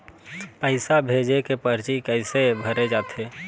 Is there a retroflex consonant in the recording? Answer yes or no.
no